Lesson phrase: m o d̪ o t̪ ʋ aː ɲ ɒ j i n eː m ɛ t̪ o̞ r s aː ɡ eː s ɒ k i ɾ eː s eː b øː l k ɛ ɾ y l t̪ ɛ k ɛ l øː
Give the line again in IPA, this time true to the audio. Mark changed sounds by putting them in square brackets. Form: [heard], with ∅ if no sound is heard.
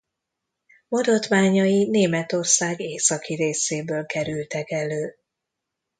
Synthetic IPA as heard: m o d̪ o t̪ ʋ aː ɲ ɒ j i n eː m ɛ t̪ o̞ r s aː ɡ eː s ɒ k i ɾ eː s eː b øː l k ɛ ɾ y l t̪ ɛ k ɛ l øː